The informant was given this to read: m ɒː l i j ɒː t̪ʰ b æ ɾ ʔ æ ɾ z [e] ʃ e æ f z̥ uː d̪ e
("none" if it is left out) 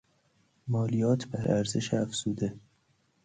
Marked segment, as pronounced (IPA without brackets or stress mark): e